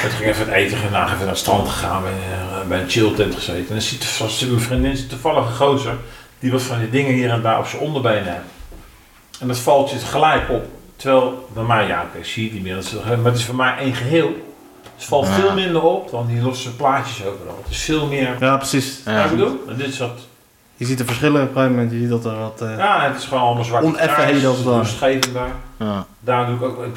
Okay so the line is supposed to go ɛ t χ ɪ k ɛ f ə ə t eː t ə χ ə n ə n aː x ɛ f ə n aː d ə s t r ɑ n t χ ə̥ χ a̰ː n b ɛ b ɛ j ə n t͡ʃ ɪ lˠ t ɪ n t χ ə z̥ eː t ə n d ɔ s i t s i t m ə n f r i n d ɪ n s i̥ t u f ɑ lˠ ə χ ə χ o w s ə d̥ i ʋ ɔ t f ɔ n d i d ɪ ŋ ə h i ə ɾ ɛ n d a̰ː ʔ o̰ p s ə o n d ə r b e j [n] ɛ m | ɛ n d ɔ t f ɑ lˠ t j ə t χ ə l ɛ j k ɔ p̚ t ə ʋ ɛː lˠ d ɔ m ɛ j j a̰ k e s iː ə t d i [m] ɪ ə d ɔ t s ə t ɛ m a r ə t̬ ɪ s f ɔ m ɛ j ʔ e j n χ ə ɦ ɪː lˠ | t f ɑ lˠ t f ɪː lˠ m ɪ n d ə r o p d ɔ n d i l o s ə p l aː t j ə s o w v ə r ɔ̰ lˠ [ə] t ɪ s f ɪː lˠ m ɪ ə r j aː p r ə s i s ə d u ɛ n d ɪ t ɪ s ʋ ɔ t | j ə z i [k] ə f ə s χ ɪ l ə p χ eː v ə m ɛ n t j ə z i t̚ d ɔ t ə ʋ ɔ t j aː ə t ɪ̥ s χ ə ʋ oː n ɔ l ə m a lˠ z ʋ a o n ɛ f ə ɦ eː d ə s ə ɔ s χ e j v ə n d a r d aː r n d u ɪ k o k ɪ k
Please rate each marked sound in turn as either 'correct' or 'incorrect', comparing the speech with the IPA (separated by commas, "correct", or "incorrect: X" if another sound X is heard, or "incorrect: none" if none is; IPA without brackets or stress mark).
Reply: correct, correct, correct, incorrect: t